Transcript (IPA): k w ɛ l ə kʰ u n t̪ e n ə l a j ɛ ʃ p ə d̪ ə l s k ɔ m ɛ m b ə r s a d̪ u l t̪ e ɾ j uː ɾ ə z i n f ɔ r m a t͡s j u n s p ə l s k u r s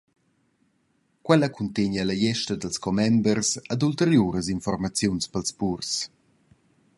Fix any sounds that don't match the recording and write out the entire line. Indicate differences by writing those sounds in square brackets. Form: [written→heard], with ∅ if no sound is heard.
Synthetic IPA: k w ɛ l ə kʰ u n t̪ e [n→ɲ] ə l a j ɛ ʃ [p→t] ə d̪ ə l s k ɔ m ɛ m b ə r s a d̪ u l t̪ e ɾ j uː ɾ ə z i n f ɔ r m a t͡s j u n s p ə l s [k→p] u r s